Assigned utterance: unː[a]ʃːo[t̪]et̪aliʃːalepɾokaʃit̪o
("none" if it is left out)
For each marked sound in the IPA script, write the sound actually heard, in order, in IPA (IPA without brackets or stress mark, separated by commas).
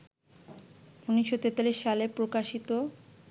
i, t̪